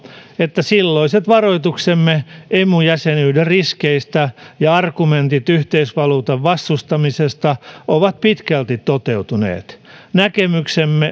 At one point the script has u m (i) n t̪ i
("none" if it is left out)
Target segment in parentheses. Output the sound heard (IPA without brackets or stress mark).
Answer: e